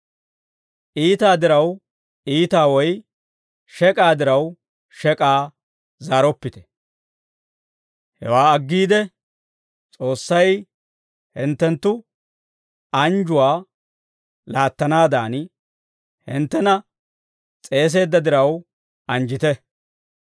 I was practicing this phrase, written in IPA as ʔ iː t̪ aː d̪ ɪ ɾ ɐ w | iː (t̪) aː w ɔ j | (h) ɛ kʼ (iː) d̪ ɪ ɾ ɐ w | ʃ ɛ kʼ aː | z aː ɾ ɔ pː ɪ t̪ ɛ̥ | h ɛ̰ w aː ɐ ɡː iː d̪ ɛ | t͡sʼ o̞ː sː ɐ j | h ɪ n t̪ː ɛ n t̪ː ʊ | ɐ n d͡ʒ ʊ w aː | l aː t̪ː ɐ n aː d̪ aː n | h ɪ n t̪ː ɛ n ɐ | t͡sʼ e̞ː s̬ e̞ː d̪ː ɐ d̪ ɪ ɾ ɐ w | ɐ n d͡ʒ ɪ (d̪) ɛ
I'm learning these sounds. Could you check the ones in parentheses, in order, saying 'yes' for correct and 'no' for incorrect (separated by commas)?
yes, no, no, no